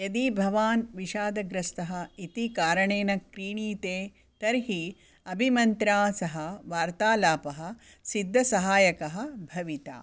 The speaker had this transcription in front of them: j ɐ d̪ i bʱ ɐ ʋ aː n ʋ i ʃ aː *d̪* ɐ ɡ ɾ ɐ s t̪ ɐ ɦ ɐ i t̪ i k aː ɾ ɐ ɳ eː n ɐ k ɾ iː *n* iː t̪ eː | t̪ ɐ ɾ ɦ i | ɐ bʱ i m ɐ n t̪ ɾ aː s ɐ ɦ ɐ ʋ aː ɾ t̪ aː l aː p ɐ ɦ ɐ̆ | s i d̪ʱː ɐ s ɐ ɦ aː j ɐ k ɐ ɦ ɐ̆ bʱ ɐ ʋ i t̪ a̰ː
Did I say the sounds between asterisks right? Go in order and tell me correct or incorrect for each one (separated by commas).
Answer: correct, incorrect